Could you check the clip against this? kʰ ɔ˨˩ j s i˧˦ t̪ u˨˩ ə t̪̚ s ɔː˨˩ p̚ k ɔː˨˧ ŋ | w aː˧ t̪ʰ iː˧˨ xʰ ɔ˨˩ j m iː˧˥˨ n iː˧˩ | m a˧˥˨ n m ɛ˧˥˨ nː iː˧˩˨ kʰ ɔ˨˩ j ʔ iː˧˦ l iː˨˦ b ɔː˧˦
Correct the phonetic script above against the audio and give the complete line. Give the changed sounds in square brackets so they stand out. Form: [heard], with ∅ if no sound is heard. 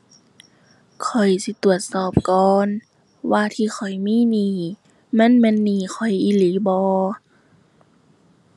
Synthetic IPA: kʰ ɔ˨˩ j s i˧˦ t̪ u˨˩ ə t̪̚ s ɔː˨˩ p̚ k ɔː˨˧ [n] | w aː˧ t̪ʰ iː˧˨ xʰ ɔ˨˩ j m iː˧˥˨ n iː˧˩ | m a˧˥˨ n m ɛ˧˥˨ nː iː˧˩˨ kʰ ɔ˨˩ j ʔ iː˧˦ l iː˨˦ b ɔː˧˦